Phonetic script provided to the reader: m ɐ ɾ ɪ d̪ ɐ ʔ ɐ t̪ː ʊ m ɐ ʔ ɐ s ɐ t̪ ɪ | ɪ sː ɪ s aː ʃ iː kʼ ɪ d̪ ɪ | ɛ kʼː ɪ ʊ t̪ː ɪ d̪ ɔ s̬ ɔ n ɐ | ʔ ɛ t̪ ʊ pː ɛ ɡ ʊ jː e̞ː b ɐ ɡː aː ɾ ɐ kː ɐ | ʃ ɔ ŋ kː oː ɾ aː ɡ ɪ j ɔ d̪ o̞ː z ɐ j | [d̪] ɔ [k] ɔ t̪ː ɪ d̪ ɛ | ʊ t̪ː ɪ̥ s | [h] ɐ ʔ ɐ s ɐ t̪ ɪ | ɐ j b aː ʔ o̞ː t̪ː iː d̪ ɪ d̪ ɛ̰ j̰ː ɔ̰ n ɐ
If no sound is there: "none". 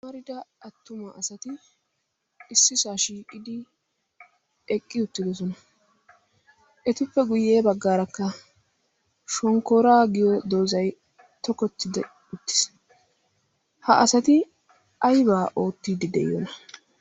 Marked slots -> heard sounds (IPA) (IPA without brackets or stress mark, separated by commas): t̪, k, h